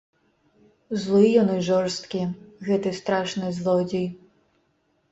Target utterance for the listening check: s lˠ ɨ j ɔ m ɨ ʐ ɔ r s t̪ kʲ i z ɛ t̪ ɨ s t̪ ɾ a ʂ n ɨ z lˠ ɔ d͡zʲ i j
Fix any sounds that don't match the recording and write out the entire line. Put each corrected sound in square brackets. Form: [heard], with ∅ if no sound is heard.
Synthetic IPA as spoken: [z] lˠ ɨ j ɔ [n] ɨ ʐ ɔ r s t̪ kʲ i [ɣ] ɛ t̪ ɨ s t̪ ɾ a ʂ n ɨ z lˠ ɔ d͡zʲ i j